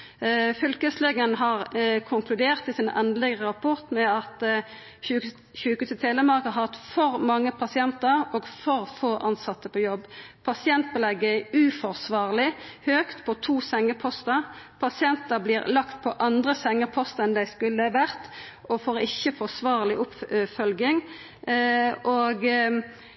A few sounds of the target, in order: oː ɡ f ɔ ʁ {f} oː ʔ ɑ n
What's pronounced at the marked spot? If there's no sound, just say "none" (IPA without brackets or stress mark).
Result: f